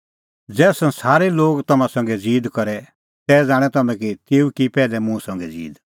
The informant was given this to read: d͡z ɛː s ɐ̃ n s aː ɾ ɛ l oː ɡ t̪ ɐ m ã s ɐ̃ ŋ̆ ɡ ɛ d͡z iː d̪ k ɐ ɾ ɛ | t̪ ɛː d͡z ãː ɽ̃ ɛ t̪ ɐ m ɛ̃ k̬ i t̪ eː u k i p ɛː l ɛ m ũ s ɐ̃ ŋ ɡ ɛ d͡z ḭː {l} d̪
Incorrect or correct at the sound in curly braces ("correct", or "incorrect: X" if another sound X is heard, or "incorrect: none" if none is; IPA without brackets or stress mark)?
incorrect: none